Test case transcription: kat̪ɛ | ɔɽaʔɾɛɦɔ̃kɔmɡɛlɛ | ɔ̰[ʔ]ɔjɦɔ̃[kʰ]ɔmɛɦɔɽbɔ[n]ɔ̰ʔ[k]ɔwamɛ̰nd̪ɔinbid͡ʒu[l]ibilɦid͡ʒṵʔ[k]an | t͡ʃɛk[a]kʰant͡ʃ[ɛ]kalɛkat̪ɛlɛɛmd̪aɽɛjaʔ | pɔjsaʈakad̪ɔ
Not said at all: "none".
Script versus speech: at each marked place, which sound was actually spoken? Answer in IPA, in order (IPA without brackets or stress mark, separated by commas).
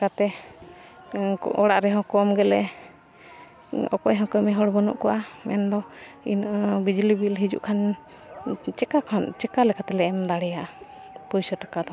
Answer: k, k, n, k, l, kʰ, a, ɛ